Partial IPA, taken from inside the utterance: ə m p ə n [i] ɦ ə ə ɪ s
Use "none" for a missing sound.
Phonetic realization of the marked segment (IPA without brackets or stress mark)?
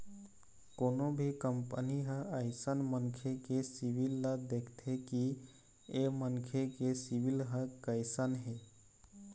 i